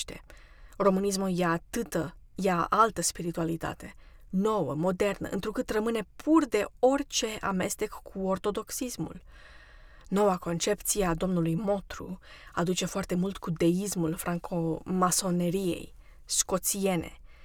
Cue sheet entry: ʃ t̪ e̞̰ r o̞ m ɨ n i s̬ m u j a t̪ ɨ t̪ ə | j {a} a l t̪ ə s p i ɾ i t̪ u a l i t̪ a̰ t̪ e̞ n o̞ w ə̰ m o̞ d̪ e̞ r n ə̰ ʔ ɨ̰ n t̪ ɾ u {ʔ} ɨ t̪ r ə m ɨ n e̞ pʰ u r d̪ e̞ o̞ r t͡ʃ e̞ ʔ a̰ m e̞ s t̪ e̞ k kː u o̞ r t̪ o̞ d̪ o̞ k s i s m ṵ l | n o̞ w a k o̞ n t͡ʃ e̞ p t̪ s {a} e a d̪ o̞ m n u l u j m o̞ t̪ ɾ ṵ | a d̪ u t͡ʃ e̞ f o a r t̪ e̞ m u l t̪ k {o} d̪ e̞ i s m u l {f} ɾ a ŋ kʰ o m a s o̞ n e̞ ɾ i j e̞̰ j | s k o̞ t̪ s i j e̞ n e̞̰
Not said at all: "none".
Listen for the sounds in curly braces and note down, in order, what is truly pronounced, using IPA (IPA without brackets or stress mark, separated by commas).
a, k, i, u, f